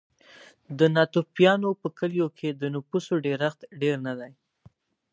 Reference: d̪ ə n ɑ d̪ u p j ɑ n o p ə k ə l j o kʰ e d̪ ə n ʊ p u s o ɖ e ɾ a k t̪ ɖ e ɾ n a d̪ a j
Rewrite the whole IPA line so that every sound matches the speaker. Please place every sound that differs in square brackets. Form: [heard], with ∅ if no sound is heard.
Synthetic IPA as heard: d̪ ə n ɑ [t̪] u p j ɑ n o p ə k ə l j o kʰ e d̪ ə n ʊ p u s o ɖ e ɾ a [x] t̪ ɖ e ɾ n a d̪ a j